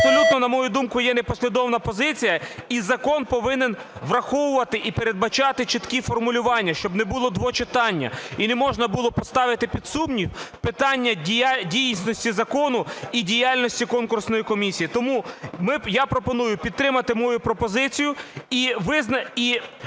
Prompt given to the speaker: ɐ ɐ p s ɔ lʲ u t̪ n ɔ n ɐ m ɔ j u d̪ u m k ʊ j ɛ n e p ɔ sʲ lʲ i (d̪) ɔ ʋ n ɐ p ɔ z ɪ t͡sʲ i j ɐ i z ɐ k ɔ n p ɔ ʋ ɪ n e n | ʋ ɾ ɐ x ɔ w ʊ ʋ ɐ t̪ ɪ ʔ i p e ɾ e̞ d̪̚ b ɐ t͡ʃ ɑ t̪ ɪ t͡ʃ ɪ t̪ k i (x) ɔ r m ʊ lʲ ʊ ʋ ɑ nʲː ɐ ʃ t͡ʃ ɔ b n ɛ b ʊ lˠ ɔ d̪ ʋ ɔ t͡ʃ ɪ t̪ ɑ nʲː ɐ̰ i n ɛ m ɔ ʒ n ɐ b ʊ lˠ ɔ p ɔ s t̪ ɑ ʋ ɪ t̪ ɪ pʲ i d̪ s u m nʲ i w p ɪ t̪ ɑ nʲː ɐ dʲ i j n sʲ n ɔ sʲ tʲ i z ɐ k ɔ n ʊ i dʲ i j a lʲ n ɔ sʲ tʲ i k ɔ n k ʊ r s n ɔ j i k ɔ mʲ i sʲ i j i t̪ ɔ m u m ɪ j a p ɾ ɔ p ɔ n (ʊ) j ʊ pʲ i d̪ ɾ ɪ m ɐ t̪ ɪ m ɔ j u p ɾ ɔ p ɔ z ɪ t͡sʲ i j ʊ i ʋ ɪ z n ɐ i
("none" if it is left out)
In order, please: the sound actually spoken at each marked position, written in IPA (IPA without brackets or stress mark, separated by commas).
d̪, f, u